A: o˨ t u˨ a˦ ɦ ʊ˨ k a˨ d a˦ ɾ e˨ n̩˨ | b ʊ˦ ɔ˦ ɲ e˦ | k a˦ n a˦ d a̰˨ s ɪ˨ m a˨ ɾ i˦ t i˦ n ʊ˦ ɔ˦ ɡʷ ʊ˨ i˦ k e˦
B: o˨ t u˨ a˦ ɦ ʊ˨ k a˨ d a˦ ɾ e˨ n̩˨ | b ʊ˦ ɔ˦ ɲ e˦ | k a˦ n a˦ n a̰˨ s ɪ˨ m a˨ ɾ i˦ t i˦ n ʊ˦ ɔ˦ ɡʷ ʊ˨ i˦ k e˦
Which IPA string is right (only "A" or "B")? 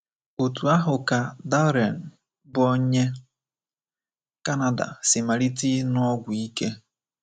A